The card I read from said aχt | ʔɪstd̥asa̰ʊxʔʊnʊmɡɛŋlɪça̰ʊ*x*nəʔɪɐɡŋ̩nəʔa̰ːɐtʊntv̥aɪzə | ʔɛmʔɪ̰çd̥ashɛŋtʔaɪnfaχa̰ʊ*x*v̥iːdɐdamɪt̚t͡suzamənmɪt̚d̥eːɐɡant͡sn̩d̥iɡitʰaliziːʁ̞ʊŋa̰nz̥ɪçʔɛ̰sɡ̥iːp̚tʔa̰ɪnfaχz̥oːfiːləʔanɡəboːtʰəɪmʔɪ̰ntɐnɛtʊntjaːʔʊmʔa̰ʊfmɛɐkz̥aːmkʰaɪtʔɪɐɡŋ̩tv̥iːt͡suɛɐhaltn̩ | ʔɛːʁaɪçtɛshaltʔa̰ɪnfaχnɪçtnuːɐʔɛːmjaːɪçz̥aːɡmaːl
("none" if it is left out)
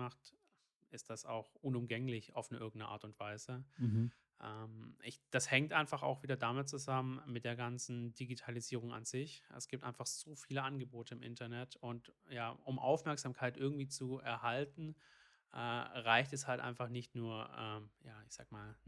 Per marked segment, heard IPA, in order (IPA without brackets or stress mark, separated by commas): f, x